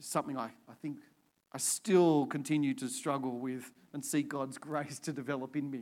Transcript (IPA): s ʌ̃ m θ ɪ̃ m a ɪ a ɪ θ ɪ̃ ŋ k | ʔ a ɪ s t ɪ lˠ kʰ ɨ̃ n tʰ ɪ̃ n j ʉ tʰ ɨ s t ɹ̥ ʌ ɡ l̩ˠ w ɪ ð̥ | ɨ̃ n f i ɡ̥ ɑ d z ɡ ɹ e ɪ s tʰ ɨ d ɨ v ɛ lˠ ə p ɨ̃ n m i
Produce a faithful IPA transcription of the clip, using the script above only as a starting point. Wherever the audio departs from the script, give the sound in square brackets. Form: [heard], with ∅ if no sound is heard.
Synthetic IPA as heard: s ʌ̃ m θ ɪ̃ [ŋ] a ɪ a ɪ θ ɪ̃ ŋ k | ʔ a ɪ s t ɪ lˠ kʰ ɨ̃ n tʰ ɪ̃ n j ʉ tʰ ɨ s t ɹ̥ ʌ ɡ l̩ˠ w ɪ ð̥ | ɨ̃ n [s] i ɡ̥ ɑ d z ɡ ɹ e ɪ s tʰ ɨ d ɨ v ɛ lˠ ə p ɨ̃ n m i